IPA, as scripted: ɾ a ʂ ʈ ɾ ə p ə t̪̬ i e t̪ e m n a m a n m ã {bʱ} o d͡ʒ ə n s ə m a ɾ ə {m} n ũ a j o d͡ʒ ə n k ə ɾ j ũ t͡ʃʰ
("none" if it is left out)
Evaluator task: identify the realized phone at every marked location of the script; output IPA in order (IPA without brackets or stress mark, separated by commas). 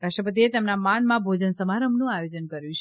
bʱ, m